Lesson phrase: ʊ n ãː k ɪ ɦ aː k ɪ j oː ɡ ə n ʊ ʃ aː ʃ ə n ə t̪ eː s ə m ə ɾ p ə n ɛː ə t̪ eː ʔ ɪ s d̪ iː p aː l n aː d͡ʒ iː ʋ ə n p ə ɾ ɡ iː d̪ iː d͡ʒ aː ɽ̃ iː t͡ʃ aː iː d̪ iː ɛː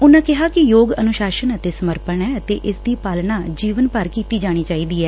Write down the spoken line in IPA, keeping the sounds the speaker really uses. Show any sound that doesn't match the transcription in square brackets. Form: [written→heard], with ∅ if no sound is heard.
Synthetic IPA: ʊ n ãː k ɪ ɦ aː k ɪ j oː ɡ ə n ʊ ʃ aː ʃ ə n ə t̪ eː s ə m ə ɾ p ə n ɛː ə t̪ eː ʔ ɪ s d̪ iː p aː l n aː d͡ʒ iː ʋ ə n p ə ɾ [ɡ→k] iː [d̪→t̪] iː d͡ʒ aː ɽ̃ iː t͡ʃ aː iː d̪ iː ɛː